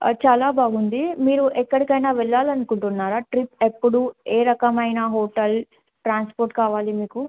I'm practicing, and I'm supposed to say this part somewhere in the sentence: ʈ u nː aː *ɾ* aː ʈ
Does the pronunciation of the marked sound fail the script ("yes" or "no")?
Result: no